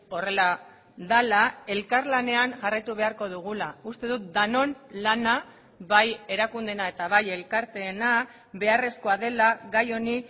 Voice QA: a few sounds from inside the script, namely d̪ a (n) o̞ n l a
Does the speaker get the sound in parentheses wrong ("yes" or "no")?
no